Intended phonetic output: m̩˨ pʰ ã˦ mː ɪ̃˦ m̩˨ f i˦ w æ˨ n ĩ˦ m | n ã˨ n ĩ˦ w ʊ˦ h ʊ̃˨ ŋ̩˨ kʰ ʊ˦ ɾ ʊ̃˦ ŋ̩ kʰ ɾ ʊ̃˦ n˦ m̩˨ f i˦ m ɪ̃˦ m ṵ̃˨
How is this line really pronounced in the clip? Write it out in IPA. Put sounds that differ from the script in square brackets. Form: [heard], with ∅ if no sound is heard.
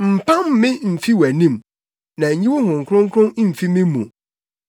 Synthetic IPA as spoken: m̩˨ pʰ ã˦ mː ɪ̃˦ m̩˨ f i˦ w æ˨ n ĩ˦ m | n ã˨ [ɲ] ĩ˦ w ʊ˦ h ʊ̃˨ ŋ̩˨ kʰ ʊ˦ ɾ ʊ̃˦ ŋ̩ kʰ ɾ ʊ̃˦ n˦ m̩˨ f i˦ m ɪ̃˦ m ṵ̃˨